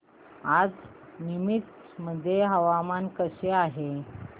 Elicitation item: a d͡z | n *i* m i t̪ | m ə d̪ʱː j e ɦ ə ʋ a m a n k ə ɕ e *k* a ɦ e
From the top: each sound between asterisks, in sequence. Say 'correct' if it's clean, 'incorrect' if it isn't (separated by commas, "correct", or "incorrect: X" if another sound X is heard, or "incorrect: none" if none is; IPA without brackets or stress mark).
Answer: correct, incorrect: none